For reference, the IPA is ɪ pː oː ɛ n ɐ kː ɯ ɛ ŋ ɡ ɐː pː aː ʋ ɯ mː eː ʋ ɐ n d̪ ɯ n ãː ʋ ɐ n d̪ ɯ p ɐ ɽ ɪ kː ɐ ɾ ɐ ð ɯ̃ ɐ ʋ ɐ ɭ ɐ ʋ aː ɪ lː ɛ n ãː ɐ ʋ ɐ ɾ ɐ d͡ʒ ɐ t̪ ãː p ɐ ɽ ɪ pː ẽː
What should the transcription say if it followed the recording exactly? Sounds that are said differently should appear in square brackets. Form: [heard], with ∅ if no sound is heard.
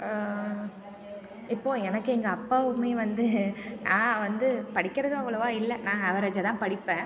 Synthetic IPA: ɪ pː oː ɛ n ɐ kː ɯ ɛ ŋ ɡ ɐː pː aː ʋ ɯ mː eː ʋ ɐ n d̪ ɯ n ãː ʋ ɐ n d̪ ɯ p ɐ ɽ ɪ kː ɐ ɾ ɐ ð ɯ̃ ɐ ʋ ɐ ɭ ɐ ʋ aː ɪ lː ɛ n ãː ɐ ʋ ɐ ɾ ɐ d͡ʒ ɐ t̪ ãː p ɐ ɽ ɪ pː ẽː